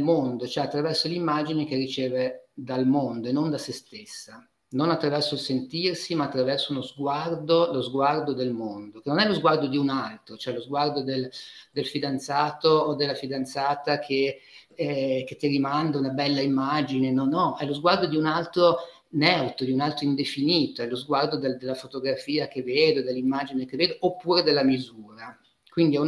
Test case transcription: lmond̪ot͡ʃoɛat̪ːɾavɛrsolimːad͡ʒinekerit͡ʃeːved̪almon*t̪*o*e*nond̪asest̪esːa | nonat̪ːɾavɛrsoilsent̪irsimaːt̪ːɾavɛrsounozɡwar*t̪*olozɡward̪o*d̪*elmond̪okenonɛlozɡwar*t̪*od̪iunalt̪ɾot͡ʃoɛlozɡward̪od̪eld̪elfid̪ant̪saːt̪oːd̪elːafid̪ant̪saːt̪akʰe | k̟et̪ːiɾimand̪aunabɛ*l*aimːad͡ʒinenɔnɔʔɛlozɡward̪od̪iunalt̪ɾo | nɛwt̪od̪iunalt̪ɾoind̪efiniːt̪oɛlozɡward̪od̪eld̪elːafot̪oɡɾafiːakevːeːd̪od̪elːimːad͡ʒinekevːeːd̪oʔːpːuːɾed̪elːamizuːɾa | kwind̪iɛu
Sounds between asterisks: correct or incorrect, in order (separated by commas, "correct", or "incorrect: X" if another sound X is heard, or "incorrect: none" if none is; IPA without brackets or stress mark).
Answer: incorrect: d̪, correct, incorrect: d̪, correct, incorrect: d̪, incorrect: lː